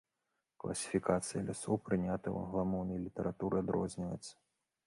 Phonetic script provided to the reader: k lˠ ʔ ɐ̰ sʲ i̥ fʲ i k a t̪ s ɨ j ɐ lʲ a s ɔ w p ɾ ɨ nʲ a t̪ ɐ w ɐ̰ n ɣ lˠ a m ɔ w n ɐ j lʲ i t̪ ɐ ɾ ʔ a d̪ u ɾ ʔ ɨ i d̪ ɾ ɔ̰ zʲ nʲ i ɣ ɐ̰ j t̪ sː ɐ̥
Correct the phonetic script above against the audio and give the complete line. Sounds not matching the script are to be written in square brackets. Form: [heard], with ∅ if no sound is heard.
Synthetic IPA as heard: k lˠ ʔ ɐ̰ sʲ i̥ fʲ i k a t̪ s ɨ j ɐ lʲ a s ɔ w p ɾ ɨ nʲ a t̪ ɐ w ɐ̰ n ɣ lˠ a m ɔ w n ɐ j lʲ i t̪ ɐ ɾ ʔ a [t̪] u ɾ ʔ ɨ [a] d̪ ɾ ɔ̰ zʲ nʲ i [v] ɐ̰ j t̪ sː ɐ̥